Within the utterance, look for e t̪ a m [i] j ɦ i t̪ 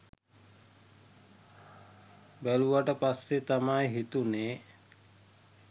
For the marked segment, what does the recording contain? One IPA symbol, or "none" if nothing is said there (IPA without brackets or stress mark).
a